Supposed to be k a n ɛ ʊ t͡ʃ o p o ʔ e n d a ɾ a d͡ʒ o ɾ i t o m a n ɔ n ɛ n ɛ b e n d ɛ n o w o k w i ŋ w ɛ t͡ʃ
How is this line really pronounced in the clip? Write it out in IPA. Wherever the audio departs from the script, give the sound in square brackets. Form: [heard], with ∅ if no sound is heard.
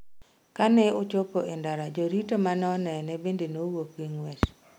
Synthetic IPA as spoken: k a n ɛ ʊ t͡ʃ o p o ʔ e n d a ɾ a d͡ʒ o ɾ i t o m a n ɔ n ɛ n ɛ b e n d [e] n o w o k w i ŋ w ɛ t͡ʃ